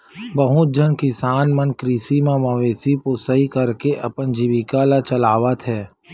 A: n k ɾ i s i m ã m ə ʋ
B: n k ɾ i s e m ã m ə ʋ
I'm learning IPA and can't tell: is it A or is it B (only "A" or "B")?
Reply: A